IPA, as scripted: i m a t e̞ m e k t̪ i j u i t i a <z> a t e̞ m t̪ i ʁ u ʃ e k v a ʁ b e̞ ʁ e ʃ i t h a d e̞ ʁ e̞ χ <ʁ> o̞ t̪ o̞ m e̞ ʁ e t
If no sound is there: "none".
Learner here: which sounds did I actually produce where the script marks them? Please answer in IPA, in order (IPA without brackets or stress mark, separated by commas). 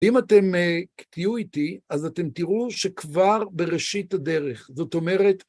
z, z